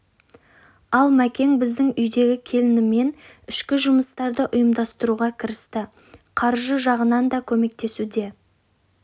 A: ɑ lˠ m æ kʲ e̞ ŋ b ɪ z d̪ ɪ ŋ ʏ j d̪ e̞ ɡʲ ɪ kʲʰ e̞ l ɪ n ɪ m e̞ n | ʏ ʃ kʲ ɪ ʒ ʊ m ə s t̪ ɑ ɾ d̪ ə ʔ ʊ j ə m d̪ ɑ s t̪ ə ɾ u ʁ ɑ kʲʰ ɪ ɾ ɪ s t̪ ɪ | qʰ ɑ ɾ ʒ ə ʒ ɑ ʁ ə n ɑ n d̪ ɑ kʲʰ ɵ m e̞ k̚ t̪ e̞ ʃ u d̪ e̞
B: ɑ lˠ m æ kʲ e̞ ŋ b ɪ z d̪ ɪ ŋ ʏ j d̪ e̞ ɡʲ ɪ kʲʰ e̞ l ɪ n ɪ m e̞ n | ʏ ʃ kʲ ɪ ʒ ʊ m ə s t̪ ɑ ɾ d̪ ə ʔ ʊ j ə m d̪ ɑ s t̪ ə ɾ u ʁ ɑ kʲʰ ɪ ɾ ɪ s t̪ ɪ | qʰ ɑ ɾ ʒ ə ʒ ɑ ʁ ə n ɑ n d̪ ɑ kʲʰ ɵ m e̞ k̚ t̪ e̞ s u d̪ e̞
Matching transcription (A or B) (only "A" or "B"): B